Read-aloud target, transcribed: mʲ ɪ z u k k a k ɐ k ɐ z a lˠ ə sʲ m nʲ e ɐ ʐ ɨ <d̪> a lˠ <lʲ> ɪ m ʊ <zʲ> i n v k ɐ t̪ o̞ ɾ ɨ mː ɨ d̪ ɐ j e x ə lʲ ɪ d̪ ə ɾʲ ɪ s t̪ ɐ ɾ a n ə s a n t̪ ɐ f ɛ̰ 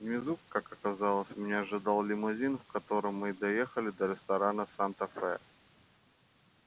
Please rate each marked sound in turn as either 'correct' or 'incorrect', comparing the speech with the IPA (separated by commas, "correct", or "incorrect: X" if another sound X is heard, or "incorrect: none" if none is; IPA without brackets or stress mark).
correct, correct, correct